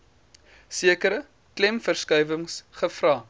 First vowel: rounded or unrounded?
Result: unrounded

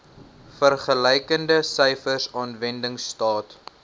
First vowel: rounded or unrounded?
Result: unrounded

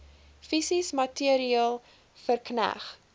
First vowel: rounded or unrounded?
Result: unrounded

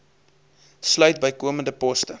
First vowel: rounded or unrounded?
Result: rounded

